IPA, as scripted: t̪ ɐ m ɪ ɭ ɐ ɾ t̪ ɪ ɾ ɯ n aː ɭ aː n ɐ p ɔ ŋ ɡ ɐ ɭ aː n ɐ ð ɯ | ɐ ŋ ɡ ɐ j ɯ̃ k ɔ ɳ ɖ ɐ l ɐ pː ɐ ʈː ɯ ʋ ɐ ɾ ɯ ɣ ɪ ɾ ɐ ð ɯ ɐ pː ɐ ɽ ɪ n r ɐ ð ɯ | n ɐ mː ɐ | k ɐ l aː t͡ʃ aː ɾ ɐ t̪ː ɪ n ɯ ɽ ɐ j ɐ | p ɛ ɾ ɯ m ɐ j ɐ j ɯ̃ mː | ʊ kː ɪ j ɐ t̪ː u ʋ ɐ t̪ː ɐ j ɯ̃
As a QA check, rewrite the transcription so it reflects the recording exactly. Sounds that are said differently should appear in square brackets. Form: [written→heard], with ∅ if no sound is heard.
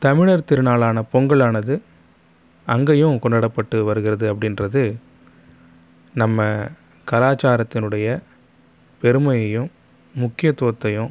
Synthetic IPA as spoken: t̪ ɐ m ɪ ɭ ɐ ɾ t̪ ɪ ɾ ɯ n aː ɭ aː n ɐ p ɔ ŋ ɡ ɐ ɭ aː n ɐ ð ɯ | ɐ ŋ ɡ ɐ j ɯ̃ k ɔ ɳ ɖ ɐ [l→ɽ] ɐ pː ɐ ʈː ɯ ʋ ɐ ɾ ɯ ɣ ɪ ɾ ɐ ð ɯ ɐ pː ɐ ɽ ɪ n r ɐ ð ɯ | n ɐ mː ɐ | k ɐ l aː t͡ʃ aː ɾ ɐ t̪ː ɪ n ɯ ɽ ɐ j ɐ | p ɛ ɾ ɯ m ɐ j ɐ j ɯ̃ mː | ʊ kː ɪ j ɐ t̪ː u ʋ ɐ t̪ː ɐ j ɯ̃

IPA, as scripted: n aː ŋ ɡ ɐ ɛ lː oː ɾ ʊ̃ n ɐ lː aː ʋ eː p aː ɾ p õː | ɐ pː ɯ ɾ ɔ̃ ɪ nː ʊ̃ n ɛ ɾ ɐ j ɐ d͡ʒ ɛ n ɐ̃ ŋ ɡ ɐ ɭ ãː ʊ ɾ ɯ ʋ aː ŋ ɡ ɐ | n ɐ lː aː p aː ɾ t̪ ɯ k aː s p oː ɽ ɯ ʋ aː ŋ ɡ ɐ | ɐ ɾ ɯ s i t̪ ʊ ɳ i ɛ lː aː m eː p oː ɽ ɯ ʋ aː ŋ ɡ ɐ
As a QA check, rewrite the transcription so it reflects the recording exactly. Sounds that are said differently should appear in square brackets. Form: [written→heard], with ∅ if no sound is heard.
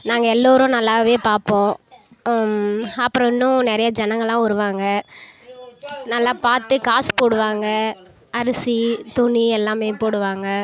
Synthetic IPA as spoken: n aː ŋ ɡ ɐ ɛ lː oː ɾ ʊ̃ n ɐ lː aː ʋ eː p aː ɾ p õː | ɐ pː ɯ ɾ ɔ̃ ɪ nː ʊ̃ n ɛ ɾ ɐ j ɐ d͡ʒ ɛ n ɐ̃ ŋ ɡ ɐ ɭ ãː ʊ ɾ ɯ ʋ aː ŋ ɡ ɐ | n ɐ lː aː p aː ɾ t̪ ɯ k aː s p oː ɽ ɯ ʋ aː ŋ ɡ ɐ | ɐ ɾ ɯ s i t̪ ʊ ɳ i ɛ lː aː m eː p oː ɽ ɯ ʋ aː ŋ ɡ ɐ

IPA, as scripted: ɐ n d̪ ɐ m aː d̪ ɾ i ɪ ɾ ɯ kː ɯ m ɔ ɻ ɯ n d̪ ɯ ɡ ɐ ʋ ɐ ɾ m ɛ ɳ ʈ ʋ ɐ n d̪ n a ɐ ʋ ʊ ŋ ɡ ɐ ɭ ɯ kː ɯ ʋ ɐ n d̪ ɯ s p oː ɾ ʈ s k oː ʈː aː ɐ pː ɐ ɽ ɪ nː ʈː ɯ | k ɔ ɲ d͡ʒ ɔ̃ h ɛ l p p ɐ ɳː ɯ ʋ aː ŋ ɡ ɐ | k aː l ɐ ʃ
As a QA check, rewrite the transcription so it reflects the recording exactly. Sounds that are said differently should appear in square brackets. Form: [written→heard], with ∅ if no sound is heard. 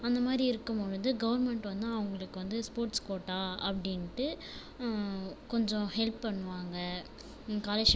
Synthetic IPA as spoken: ɐ n d̪ ɐ m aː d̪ ɾ i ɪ ɾ ɯ kː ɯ m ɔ ɻ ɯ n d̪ ɯ ɡ ɐ ʋ ɐ ɾ m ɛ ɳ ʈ ʋ ɐ n d̪ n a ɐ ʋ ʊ ŋ ɡ ɐ ɭ ɯ kː ɯ ʋ ɐ n d̪ ɯ s p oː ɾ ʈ s k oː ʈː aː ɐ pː ɐ ɽ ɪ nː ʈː ɯ | k ɔ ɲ d͡ʒ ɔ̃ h ɛ l p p ɐ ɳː ɯ ʋ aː ŋ ɡ ɐ | k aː l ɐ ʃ

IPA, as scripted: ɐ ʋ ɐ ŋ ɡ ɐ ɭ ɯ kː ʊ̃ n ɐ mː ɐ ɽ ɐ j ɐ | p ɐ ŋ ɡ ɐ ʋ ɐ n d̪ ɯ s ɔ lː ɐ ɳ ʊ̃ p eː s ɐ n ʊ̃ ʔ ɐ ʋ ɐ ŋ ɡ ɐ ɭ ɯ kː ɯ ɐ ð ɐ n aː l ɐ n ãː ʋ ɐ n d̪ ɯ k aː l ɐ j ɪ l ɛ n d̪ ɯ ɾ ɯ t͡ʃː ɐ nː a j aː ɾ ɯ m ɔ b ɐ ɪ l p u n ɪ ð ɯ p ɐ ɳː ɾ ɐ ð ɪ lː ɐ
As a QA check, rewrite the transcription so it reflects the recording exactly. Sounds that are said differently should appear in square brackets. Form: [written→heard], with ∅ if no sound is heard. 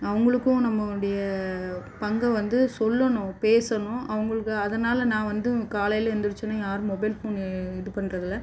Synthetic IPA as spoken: ɐ ʋ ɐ ŋ ɡ ɐ ɭ ɯ kː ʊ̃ n ɐ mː ɐ ɽ ɐ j ɐ | p ɐ ŋ ɡ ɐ ʋ ɐ n d̪ ɯ s ɔ lː ɐ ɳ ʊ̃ p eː s ɐ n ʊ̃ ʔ ɐ ʋ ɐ ŋ ɡ ɐ ɭ ɯ kː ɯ ɐ ð ɐ n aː l ɐ n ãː ʋ ɐ n d̪ ɯ k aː l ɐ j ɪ l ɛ n d̪ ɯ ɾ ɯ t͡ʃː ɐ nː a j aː ɾ ɯ m ɔ b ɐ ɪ l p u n ɪ ð ɯ p ɐ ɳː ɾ ɐ ð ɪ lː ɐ

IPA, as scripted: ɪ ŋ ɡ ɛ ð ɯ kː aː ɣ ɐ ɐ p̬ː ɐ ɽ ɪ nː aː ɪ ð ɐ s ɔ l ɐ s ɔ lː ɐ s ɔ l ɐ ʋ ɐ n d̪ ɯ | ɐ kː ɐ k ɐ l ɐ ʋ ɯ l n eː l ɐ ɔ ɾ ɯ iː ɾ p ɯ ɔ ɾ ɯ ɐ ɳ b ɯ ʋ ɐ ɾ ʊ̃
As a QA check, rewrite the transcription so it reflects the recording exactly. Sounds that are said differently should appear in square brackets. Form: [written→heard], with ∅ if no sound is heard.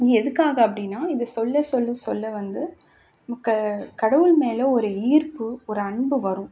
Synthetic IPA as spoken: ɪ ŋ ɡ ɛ ð ɯ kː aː ɣ ɐ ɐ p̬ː ɐ ɽ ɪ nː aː ɪ ð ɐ s ɔ [l→lː] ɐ s ɔ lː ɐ s ɔ [l→lː] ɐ ʋ ɐ n d̪ ɯ | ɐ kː ɐ k ɐ [l→ɽ] ɐ ʋ ɯ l [n→m] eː l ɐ ɔ ɾ ɯ iː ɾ p ɯ ɔ ɾ ɯ ɐ ɳ b ɯ ʋ ɐ ɾ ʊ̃

